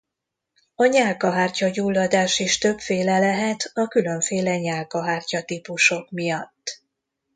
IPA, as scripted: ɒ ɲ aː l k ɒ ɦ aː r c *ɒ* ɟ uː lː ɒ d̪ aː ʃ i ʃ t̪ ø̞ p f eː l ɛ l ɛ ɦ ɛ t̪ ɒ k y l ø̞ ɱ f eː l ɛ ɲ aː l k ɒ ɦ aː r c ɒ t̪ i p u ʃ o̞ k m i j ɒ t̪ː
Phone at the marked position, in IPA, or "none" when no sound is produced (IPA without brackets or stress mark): ɒ